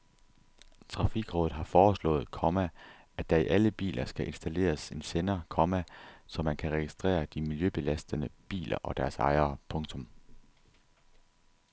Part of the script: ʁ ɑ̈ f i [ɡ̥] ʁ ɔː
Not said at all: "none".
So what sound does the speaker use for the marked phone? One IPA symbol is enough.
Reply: ɡ̥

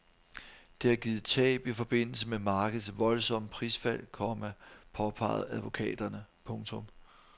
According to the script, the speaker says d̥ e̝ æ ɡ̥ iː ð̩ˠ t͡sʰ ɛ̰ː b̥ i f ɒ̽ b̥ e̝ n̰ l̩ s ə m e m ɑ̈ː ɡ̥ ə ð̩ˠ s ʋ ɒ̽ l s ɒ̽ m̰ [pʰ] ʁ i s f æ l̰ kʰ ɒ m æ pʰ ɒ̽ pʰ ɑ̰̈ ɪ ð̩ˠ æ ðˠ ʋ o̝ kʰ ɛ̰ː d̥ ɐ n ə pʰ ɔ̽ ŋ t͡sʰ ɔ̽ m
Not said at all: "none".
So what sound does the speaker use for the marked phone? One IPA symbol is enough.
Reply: pʰ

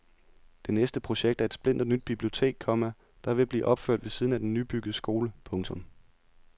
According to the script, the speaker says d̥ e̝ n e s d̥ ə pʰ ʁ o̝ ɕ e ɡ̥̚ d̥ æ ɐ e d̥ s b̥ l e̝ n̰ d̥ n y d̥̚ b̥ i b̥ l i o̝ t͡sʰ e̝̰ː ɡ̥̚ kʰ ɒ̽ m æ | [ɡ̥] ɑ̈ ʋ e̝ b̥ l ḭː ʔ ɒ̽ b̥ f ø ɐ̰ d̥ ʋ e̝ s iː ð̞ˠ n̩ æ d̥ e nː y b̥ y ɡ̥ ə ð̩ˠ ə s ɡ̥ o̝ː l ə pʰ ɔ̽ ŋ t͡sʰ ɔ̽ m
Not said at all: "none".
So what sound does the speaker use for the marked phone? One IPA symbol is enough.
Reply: d̥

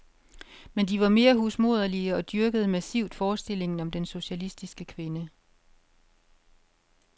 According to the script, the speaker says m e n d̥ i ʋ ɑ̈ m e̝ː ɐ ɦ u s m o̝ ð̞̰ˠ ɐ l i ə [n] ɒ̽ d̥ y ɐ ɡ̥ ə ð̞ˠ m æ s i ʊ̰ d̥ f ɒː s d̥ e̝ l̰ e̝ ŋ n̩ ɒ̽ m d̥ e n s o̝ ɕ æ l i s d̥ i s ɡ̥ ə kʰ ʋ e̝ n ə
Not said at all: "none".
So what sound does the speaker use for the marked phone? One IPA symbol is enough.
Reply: none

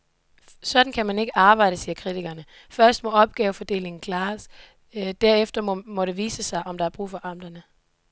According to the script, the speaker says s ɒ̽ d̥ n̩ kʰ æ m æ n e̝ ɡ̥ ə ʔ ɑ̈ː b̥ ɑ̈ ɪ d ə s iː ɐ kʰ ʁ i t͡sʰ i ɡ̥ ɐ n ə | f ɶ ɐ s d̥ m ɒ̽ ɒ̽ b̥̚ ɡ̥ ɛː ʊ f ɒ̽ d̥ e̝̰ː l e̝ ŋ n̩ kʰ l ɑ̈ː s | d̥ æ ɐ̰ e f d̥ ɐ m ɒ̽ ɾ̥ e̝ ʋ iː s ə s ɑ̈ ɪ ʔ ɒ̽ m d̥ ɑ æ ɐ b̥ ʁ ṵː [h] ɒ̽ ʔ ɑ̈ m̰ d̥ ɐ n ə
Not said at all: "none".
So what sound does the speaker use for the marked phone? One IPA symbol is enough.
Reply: f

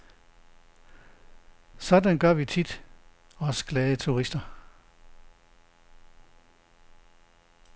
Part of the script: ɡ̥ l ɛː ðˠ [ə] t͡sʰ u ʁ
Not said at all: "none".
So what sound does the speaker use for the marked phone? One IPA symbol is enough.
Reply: ə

